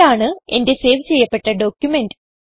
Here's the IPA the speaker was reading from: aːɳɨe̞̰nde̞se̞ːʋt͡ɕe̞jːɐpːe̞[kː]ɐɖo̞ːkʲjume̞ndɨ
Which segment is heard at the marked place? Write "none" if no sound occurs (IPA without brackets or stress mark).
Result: ʈː